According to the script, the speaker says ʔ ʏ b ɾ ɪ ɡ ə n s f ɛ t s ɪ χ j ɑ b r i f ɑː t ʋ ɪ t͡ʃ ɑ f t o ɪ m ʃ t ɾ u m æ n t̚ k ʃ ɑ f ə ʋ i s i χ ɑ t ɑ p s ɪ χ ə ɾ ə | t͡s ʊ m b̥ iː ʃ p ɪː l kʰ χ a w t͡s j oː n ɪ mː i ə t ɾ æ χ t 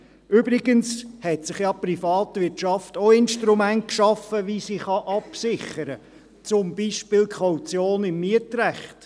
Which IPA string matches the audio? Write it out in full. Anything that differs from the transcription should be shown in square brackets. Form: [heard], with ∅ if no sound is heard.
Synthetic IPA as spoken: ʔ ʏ b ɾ ɪ ɡ ə n s [h] ɛ t s ɪ χ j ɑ [p] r i f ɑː t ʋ ɪ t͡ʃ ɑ f t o ɪ [n] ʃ t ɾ u m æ n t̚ k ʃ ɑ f ə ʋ i s i χ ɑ [ʔ] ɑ p s ɪ χ ə ɾ ə | t͡s ʊ m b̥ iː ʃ p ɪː l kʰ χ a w t͡s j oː n ɪ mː i ə t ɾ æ χ t